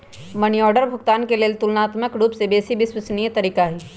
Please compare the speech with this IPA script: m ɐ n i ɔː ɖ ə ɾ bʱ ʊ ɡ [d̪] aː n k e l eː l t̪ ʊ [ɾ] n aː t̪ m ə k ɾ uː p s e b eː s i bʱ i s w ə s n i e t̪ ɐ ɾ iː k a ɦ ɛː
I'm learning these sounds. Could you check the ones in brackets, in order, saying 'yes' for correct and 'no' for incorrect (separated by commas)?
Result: no, no